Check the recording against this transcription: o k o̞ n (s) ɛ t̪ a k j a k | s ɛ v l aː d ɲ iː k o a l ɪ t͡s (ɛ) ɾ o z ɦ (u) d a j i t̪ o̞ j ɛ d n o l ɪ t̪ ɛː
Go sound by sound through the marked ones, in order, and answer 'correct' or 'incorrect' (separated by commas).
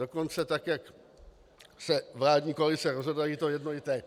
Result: incorrect, correct, incorrect